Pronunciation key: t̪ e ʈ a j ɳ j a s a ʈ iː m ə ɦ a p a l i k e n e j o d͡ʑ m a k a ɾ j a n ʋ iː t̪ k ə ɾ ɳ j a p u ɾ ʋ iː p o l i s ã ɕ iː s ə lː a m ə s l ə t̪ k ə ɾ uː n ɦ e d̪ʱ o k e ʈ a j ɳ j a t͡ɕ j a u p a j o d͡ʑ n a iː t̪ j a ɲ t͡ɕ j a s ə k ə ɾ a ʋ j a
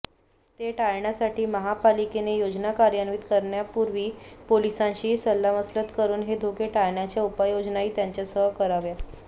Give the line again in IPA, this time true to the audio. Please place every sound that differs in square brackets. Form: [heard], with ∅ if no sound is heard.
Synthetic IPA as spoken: t̪ e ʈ a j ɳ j a s a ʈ iː m ə ɦ a p a l i k e n e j o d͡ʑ [n] a k a ɾ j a n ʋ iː t̪ k ə ɾ ɳ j a p u ɾ ʋ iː p o l i s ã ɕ iː s ə lː a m ə s l ə t̪ k ə ɾ uː n ɦ e d̪ʱ o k e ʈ a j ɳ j a t͡ɕ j a u p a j o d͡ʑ n a iː t̪ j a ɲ t͡ɕ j a s ə k ə ɾ a ʋ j a